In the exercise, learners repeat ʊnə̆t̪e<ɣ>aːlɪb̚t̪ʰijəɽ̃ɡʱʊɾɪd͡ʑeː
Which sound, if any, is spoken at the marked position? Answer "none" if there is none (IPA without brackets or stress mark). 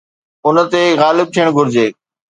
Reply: ɣ